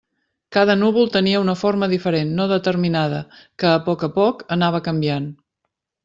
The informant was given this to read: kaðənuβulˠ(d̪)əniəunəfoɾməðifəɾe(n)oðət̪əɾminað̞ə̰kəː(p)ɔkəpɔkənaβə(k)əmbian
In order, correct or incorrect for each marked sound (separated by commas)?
incorrect, incorrect, correct, correct